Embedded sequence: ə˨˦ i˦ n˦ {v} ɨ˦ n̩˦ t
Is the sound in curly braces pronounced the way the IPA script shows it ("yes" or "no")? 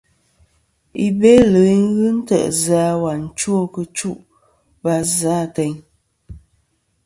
no